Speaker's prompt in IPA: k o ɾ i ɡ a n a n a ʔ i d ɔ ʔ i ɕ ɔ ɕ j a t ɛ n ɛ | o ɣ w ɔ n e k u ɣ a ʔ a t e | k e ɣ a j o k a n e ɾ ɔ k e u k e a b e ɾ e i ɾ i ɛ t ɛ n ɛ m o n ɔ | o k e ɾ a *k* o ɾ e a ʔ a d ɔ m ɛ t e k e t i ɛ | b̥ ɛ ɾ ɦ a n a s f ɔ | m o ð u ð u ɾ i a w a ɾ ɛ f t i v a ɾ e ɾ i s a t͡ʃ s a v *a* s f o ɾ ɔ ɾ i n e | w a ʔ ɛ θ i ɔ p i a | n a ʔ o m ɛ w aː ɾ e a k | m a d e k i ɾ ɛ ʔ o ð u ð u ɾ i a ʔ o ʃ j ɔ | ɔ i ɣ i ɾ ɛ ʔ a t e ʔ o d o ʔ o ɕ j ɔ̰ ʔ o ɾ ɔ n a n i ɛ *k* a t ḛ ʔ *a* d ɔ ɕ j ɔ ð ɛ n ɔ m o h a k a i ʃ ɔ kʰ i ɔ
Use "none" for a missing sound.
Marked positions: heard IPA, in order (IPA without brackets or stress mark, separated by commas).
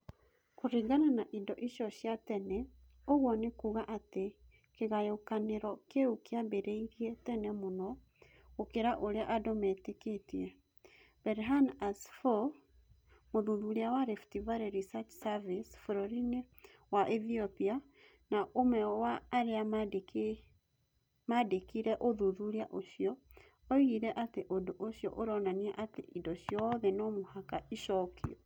ʔ, i, ʔ, i